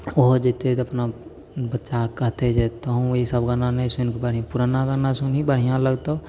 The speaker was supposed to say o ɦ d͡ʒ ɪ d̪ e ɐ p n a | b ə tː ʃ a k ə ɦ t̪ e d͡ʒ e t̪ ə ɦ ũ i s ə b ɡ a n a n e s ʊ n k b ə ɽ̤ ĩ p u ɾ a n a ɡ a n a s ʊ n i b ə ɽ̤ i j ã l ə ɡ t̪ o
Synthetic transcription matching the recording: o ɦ d͡ʒ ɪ t̪ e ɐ p n a | b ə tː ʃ a k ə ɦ t̪ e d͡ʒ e t̪ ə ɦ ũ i s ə b ɡ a n a n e s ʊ n k b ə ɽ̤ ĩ p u ɾ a n a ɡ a n a s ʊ n i b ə ɽ̤ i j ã l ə ɡ t̪ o